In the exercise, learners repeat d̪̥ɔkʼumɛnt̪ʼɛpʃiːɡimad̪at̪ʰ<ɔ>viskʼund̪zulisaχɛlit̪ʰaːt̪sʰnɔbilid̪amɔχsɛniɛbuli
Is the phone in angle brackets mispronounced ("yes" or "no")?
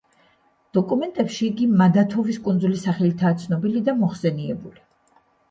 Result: no